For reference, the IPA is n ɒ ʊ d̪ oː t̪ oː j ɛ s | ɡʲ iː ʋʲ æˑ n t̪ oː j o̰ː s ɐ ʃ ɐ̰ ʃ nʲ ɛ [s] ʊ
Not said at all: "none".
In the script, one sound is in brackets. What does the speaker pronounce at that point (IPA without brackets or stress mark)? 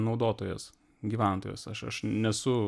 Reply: s